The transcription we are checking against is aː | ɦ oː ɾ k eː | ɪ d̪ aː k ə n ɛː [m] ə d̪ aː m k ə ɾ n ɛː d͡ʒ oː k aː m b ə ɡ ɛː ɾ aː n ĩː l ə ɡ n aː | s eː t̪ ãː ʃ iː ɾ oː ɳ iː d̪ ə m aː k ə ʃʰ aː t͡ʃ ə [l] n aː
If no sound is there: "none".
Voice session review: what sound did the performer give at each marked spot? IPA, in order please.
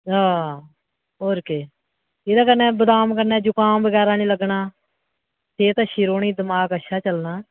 b, l

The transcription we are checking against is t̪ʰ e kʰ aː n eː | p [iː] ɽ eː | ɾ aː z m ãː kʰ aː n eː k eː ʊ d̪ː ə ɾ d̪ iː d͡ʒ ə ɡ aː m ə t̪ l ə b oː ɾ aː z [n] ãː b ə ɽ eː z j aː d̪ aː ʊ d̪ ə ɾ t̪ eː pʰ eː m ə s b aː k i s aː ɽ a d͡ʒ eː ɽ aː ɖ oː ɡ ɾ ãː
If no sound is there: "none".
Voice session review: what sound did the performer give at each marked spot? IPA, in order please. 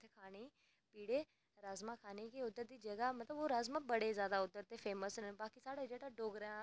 iː, m

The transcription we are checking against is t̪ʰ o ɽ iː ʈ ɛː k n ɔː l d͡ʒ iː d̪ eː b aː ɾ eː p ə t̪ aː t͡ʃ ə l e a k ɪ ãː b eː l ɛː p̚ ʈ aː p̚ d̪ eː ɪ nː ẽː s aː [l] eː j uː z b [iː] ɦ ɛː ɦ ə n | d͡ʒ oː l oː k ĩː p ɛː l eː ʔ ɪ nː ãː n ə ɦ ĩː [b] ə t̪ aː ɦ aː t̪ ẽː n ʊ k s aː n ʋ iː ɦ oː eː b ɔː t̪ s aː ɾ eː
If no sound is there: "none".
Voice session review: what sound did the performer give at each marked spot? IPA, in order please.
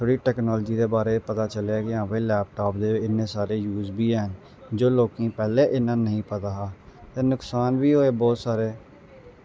ɾ, iː, p

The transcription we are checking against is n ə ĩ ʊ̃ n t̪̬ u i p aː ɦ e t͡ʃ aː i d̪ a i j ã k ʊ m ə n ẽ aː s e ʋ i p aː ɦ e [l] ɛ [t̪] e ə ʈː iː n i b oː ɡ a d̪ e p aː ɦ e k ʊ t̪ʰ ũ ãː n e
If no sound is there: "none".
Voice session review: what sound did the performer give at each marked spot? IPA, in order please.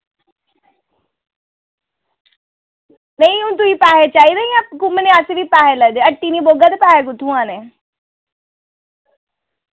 l, d̪

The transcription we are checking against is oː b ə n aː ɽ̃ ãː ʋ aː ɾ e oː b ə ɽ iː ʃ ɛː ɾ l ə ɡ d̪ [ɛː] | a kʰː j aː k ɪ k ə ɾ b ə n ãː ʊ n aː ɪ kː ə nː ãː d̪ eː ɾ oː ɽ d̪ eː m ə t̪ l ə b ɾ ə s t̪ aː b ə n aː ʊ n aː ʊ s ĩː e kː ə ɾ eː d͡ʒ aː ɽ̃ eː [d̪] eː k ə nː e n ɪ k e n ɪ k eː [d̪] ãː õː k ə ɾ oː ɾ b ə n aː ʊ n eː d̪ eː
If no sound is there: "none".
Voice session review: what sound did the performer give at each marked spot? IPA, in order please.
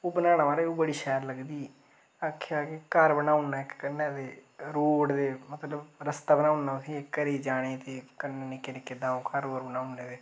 iː, t̪, d̪

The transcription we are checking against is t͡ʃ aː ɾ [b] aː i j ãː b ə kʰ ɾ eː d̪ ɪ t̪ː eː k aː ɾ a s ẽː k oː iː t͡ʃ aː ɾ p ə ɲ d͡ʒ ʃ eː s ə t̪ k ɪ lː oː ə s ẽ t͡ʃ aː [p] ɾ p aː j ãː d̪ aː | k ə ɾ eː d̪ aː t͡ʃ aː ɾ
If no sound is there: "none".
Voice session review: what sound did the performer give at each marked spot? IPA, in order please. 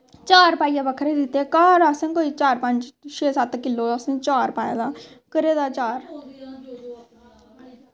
p, none

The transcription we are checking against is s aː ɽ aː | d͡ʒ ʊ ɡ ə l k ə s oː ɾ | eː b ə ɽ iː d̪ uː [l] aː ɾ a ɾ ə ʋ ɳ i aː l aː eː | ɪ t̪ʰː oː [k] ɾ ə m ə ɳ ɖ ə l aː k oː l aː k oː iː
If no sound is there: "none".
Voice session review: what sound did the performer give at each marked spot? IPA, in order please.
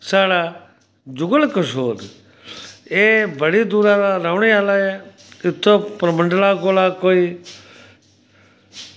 ɾ, p

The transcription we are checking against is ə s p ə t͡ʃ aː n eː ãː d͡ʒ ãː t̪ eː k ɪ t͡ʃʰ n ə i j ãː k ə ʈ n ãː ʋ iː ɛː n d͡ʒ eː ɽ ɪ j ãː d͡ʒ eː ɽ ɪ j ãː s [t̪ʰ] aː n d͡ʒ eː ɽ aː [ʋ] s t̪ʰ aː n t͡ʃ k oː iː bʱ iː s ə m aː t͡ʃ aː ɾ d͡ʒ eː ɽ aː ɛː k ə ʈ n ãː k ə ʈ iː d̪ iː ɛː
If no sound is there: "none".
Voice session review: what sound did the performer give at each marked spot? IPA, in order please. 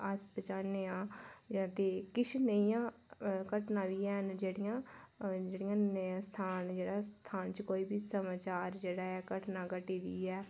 t̪ʰ, none

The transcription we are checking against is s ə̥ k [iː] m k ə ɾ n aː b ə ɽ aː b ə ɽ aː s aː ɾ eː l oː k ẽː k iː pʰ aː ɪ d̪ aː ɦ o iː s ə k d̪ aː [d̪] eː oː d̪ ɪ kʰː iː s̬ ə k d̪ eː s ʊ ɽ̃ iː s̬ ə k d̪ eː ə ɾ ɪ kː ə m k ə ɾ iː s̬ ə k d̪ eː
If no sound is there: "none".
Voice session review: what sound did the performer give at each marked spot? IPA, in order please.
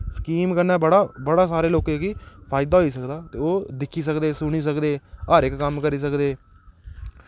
iː, t̪

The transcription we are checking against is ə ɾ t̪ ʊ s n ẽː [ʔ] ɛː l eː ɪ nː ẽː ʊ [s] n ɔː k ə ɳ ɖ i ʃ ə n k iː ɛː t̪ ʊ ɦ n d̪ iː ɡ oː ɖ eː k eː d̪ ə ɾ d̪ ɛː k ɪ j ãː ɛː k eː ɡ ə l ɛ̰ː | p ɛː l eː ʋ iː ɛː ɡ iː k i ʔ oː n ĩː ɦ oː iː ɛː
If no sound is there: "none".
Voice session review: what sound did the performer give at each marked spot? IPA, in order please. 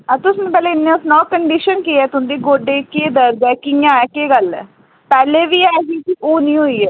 p, s

